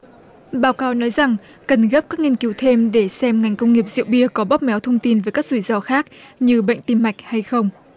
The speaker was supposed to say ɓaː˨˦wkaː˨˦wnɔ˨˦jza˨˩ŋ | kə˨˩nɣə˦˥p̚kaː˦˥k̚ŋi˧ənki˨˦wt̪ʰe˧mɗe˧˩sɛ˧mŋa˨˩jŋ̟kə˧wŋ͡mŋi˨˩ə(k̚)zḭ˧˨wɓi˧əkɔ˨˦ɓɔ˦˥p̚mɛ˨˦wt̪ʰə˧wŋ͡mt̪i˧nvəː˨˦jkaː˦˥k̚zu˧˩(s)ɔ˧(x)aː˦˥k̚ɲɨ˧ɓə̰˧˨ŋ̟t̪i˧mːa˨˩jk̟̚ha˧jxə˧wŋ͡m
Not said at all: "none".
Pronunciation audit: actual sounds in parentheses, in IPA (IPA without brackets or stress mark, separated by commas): p̚, z, x